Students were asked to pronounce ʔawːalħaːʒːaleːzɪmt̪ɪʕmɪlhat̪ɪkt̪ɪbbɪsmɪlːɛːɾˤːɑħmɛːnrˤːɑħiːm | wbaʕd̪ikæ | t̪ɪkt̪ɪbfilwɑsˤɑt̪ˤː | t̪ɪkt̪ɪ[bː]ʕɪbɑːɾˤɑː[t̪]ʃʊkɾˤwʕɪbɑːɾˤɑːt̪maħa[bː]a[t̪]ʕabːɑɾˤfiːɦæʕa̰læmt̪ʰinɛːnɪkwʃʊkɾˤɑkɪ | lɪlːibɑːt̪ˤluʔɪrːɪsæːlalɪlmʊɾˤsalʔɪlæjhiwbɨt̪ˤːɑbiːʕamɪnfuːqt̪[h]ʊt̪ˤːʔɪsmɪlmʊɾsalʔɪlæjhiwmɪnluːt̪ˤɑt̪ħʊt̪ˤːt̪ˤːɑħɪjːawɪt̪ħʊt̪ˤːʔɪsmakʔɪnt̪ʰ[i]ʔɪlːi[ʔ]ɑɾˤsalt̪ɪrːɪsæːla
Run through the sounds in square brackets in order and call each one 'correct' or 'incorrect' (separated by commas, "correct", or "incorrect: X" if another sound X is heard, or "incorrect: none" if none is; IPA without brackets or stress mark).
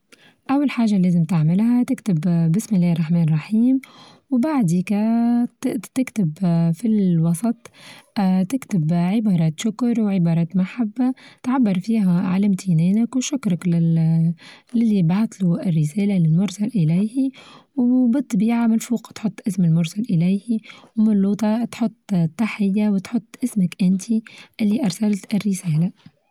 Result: incorrect: b, correct, correct, correct, incorrect: ħ, correct, correct